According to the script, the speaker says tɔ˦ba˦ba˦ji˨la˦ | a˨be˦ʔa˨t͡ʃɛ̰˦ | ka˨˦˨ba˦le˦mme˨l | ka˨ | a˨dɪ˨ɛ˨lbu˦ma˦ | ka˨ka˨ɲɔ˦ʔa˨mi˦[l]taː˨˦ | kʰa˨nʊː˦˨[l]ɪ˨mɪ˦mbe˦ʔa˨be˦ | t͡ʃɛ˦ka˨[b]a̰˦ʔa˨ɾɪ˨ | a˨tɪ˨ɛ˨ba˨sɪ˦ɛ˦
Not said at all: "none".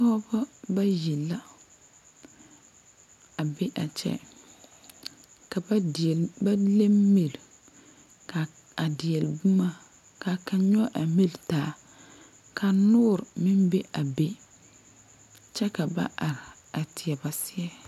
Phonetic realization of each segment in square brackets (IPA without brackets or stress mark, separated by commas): l, ɾ, b